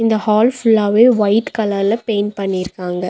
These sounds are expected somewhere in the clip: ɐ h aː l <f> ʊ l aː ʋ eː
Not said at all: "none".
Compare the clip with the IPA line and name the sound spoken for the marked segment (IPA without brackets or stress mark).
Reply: f